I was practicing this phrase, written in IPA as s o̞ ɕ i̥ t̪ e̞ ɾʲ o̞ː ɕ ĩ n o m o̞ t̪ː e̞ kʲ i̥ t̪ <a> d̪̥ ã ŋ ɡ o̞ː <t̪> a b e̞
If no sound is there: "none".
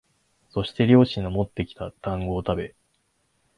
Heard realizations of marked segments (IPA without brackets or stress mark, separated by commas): a, t̪